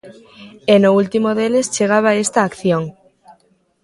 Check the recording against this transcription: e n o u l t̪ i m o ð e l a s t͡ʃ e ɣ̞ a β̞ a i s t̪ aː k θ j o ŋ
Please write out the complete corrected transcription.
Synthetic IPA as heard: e n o u l t̪ i m o ð e l e s t͡ʃ e ɣ̞ a β̞ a e s t̪ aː k θ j o ŋ